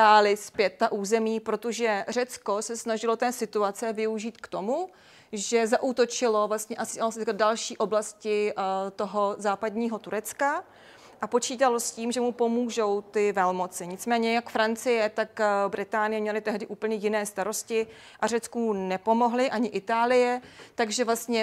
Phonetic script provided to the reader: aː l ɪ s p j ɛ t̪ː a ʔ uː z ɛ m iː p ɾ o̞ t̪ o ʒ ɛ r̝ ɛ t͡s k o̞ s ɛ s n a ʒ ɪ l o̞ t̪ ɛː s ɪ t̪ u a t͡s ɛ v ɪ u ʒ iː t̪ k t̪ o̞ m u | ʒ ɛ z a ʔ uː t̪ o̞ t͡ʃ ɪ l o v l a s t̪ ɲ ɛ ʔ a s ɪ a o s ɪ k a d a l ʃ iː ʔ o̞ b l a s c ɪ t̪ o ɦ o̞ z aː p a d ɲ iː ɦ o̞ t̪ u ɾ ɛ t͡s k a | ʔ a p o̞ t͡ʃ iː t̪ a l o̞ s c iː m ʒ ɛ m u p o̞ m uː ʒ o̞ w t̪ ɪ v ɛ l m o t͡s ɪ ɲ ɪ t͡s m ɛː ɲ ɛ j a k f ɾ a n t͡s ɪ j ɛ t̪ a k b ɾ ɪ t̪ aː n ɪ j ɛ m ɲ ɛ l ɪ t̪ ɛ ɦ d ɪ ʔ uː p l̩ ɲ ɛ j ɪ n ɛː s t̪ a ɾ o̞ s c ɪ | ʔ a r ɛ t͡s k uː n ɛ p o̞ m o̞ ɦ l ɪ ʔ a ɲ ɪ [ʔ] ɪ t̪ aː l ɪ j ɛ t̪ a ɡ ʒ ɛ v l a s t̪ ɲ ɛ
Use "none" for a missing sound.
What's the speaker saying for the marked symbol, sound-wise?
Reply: ʔ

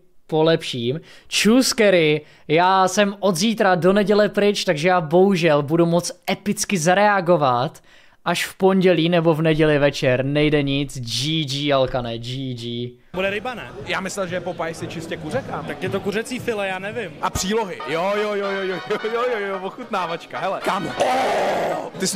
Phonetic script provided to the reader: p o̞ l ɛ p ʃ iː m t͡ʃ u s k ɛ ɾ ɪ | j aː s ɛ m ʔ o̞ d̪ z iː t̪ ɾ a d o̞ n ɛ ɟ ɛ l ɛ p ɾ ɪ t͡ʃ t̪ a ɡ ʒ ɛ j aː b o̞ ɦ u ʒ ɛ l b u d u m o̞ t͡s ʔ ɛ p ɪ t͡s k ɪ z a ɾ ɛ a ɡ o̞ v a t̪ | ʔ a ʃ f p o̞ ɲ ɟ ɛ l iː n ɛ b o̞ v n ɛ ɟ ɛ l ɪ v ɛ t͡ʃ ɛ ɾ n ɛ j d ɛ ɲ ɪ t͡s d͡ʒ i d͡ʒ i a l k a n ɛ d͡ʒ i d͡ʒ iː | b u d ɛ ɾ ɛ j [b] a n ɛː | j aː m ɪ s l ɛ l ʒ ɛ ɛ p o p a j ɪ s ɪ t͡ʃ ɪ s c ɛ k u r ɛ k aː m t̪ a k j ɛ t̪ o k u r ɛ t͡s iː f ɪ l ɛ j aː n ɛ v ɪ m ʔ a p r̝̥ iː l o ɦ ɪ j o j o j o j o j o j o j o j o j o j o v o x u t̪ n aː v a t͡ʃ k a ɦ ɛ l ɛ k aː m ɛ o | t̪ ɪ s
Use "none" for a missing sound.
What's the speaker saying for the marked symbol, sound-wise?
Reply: b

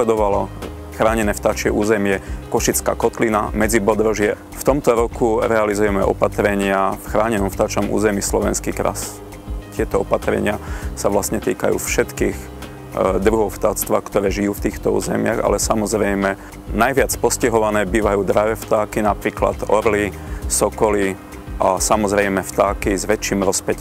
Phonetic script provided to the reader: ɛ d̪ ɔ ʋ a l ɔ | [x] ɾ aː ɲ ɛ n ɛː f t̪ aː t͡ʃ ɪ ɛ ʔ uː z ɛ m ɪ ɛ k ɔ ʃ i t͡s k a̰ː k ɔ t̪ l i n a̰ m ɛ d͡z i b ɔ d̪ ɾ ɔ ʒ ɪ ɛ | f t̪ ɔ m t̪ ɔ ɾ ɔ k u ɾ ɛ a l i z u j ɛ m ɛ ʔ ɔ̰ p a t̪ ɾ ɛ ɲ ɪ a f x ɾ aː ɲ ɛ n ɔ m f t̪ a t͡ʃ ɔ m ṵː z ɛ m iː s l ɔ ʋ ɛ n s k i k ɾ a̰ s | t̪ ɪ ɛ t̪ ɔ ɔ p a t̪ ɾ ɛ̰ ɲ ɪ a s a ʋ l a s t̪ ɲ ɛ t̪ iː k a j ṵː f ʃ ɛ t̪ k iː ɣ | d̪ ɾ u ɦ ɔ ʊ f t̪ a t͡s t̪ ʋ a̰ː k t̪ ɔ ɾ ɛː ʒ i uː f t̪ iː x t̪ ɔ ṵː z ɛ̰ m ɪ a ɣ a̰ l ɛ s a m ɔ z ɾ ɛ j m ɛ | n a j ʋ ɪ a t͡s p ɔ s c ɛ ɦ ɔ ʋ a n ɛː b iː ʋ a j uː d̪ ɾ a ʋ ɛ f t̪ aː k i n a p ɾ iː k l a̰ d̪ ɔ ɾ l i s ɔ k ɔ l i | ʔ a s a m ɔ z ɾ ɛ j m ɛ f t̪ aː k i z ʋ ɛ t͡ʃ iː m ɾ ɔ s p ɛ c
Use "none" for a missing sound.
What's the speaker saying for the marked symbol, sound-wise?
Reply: x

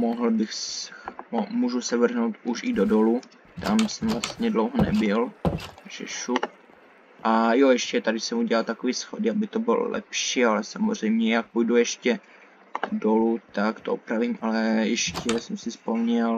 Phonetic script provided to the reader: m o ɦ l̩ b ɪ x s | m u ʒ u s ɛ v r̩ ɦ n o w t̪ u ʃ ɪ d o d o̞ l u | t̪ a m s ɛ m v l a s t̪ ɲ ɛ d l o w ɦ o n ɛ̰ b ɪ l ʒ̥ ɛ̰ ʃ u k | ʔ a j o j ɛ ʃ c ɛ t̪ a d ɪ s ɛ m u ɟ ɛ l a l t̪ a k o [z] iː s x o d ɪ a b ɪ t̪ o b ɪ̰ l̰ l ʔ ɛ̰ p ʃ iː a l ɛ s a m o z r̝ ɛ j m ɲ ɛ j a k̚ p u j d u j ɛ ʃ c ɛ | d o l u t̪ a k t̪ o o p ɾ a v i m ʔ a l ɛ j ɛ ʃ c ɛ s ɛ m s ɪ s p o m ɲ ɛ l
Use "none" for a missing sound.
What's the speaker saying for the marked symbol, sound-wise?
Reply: v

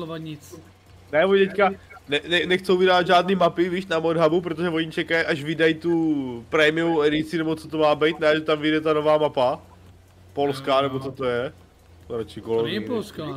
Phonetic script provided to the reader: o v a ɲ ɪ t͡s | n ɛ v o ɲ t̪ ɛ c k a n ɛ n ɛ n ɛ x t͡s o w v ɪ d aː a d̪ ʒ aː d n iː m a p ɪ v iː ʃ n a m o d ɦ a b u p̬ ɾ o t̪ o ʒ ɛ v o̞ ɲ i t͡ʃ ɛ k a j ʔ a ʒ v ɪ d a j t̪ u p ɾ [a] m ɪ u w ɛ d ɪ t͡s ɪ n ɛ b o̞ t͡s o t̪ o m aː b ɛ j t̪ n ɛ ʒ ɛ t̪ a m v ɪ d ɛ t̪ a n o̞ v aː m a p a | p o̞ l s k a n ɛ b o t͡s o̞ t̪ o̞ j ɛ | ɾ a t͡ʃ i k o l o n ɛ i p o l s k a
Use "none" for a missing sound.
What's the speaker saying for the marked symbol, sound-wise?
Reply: ɛ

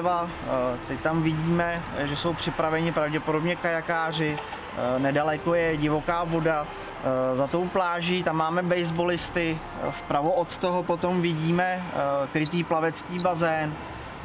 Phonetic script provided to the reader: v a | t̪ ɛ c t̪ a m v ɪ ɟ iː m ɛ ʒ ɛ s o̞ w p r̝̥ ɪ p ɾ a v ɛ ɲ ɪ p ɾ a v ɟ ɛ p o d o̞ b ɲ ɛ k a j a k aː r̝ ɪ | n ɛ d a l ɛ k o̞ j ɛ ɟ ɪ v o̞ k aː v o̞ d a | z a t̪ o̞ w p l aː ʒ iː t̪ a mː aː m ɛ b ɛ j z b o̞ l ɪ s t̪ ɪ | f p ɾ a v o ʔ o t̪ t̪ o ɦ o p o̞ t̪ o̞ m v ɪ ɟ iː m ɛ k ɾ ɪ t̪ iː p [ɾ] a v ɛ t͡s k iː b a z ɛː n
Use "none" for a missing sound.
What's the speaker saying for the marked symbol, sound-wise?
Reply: l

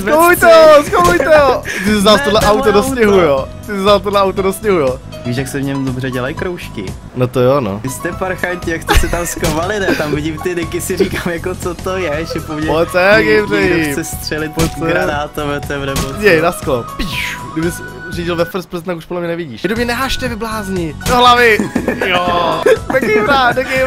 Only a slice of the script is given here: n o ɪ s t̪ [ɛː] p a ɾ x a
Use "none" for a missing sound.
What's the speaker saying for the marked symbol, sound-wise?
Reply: ɛ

